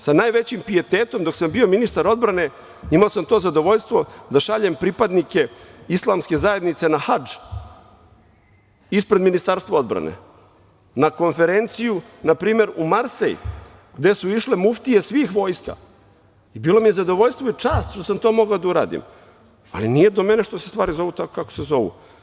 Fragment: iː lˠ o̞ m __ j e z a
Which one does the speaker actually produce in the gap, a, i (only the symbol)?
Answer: i